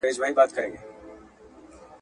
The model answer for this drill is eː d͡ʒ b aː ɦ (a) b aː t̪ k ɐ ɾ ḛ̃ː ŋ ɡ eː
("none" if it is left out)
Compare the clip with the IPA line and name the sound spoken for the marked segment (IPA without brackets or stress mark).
i